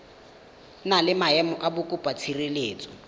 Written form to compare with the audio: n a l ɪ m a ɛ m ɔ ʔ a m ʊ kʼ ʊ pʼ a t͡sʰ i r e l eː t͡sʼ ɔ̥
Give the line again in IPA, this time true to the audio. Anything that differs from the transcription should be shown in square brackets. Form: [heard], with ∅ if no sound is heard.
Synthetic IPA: n a l ɪ m a ɛ m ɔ ʔ a [b] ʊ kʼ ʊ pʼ a t͡sʰ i r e l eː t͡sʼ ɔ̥